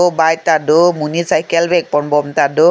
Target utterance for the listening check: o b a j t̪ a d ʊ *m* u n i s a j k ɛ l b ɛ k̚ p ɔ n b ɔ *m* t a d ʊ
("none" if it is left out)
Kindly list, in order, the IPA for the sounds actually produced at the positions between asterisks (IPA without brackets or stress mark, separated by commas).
m, m